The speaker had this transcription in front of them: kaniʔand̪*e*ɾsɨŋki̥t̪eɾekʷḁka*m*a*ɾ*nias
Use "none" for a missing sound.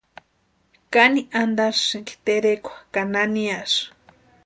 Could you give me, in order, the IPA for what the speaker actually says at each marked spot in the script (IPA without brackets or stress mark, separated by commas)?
a, n, none